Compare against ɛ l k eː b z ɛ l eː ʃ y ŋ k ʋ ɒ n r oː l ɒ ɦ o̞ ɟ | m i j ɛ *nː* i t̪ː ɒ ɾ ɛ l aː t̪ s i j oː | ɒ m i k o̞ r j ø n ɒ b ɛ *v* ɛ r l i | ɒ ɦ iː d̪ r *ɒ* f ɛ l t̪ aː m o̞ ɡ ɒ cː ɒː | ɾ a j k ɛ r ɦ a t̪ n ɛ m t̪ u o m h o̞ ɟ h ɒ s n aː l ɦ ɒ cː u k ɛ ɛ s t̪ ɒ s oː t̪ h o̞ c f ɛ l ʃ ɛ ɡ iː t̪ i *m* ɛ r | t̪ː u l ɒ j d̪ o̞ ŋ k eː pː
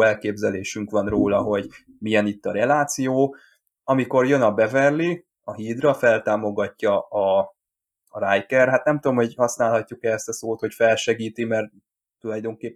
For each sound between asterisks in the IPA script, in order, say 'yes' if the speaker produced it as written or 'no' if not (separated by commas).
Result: no, yes, yes, yes